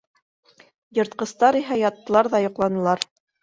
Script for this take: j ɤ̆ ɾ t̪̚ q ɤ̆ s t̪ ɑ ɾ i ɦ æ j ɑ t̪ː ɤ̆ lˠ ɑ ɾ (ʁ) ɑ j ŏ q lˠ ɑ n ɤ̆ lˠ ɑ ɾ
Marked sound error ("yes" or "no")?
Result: yes